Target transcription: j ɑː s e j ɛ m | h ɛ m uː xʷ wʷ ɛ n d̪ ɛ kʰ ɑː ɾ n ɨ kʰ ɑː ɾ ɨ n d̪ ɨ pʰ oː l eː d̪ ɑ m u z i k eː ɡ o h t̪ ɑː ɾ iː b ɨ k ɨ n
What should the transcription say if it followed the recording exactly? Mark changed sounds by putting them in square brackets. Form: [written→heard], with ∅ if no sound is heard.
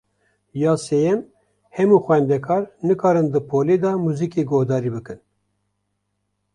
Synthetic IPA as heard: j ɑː s e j ɛ m | h ɛ m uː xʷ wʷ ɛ n d̪ ɛ kʰ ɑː ɾ n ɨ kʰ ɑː ɾ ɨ n d̪ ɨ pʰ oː l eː d̪ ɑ m u z i k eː ɡ o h [t̪→d̪] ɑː ɾ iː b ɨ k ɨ n